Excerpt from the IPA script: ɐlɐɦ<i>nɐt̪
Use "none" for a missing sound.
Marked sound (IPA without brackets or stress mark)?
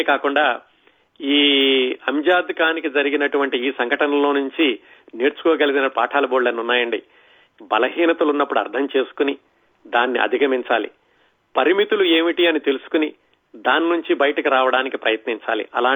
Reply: iː